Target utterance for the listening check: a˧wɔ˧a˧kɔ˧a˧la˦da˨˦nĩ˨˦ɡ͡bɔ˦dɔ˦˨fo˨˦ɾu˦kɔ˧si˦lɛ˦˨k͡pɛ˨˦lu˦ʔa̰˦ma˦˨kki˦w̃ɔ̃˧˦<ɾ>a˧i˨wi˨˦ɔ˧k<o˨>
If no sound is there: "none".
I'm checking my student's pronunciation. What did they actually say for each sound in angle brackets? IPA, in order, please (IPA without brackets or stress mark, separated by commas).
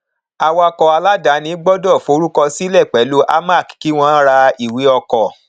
ɾ, ɔ˨